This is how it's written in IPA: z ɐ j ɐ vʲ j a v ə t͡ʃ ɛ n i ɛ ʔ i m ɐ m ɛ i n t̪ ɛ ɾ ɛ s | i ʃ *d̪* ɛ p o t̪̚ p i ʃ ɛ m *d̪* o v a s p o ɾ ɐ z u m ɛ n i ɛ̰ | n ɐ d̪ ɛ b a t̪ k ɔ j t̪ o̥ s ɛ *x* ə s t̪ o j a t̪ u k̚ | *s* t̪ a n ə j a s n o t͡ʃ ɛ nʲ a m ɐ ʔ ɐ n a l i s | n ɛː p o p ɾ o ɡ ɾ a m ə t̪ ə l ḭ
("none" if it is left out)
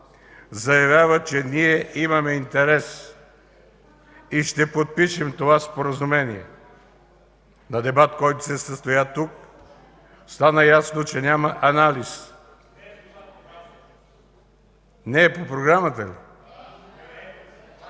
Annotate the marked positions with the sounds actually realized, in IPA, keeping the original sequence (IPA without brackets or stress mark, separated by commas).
t̪, t̪, s, s